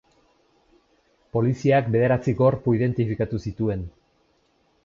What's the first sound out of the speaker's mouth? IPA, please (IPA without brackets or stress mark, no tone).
p